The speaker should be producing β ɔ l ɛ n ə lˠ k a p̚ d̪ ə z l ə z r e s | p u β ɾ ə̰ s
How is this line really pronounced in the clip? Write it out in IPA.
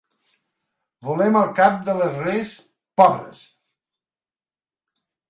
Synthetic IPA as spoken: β u l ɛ m ə lˠ k a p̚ d̪ ə l ə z r e s | p ɔ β ɾ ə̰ s